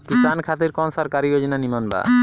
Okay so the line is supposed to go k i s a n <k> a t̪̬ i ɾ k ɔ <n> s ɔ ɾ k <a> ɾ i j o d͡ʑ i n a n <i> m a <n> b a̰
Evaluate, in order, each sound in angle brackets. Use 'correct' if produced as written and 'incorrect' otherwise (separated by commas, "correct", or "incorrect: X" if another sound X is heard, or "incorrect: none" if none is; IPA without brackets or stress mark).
incorrect: kʰ, correct, correct, correct, correct